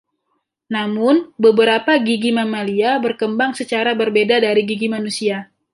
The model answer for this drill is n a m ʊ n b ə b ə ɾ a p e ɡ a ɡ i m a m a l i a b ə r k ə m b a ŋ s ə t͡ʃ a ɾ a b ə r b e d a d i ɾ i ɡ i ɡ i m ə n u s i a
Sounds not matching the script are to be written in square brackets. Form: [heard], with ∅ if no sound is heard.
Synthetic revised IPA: n a m ʊ n b ə b ə ɾ a p [a] ɡ [i] ɡ i m a m a l i a b ə r k ə m b a ŋ s ə t͡ʃ a ɾ a b ə r b e d a d [a] ɾ i ɡ i ɡ i m [a] n u s i a